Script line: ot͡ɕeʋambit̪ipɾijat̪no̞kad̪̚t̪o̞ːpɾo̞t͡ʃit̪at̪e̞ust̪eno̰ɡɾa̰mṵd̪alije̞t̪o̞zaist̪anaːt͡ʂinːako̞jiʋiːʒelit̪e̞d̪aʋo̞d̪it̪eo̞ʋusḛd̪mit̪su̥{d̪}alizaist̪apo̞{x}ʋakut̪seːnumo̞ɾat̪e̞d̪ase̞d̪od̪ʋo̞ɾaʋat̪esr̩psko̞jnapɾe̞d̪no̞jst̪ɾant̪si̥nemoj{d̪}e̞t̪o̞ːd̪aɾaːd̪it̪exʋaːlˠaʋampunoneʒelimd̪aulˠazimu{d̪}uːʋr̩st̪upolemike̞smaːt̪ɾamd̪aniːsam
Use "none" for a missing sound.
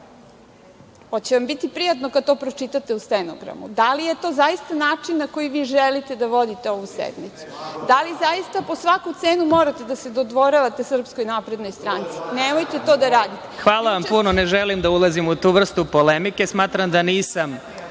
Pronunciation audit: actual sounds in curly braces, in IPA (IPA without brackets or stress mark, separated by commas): d̪, s, t̪, t̪